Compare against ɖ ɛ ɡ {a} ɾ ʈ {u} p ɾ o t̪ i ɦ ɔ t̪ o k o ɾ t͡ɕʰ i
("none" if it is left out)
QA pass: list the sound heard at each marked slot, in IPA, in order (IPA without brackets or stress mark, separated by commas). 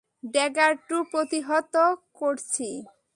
a, u